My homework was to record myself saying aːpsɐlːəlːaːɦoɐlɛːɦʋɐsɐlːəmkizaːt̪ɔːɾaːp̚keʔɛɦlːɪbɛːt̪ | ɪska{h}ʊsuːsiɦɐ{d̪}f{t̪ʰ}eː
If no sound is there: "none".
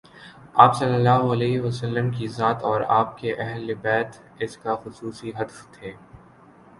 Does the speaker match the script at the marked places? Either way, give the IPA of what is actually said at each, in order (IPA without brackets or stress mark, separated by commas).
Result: x, d̪, t̪ʰ